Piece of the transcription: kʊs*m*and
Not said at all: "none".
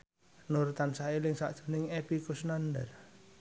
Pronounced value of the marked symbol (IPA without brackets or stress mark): n